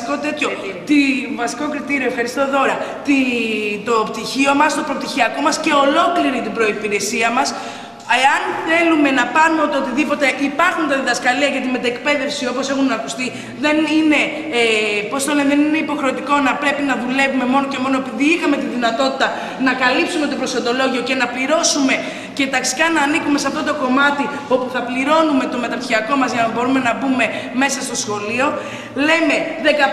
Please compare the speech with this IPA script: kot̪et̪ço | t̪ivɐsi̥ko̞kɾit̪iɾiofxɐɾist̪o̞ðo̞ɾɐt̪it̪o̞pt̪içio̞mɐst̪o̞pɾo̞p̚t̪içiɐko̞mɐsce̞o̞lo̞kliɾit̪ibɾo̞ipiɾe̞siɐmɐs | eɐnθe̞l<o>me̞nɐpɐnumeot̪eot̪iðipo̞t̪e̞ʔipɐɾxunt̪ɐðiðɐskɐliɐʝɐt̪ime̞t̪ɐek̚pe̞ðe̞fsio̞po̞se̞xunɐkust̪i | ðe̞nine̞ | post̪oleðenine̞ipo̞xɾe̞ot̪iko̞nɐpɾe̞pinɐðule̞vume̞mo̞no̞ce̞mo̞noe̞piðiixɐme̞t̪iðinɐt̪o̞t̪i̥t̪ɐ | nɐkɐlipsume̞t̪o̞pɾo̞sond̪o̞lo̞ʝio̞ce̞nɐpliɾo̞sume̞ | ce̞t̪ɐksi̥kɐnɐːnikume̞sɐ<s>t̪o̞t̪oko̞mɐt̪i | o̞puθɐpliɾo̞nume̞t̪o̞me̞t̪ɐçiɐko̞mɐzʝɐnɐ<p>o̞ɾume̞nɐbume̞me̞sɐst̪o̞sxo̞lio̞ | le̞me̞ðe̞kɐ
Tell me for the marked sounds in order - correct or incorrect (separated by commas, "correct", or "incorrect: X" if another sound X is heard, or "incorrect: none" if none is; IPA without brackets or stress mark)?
incorrect: u, incorrect: f, incorrect: b